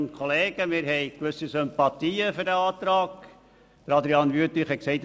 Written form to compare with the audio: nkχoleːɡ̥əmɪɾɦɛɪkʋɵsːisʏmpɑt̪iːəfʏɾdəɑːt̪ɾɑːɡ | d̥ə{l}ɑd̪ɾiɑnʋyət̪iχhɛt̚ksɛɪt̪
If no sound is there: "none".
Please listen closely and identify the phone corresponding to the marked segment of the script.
ɾ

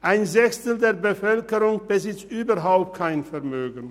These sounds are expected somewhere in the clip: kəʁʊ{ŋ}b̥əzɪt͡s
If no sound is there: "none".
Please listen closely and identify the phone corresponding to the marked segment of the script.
ŋ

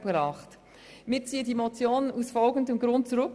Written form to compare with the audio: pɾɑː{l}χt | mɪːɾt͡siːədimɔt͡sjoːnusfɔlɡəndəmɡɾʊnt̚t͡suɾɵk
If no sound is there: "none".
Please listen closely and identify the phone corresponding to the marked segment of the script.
none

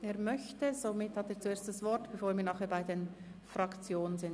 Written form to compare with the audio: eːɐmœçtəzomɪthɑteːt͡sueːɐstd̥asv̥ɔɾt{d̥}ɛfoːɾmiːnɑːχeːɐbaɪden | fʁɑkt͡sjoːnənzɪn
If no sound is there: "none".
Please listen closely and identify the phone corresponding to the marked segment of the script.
b̥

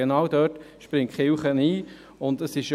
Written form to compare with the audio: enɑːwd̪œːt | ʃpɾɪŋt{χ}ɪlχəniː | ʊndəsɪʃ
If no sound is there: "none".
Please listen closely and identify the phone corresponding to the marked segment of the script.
χ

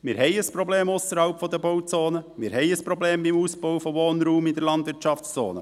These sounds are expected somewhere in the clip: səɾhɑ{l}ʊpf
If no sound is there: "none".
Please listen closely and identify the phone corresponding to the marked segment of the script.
none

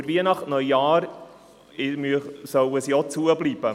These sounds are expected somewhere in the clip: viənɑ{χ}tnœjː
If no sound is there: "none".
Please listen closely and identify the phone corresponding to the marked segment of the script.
χ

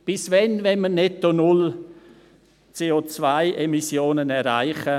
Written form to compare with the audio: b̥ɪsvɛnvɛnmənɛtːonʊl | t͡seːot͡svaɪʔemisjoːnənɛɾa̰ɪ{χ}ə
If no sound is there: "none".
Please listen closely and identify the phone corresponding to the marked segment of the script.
χ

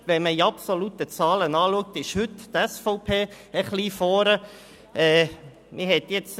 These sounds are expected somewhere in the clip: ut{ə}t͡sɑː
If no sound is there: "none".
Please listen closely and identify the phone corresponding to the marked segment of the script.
ə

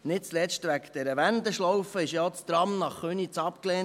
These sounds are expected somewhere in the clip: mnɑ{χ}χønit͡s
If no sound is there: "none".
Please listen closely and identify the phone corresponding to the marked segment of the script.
χ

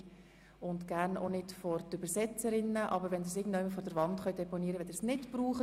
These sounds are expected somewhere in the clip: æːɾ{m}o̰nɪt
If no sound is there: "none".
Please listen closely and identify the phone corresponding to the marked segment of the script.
n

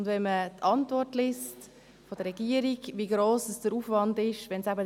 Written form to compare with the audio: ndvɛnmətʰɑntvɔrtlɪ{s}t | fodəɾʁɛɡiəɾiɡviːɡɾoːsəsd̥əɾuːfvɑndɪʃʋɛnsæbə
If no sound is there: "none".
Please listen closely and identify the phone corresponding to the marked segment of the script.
s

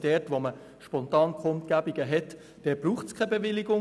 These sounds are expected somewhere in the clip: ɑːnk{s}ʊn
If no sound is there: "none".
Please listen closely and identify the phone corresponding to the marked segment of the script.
χ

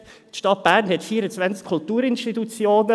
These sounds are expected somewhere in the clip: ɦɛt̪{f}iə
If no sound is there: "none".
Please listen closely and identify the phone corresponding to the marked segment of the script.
f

